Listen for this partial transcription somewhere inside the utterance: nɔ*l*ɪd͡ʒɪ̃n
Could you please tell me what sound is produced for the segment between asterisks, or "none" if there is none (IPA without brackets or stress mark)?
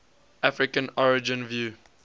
ɹ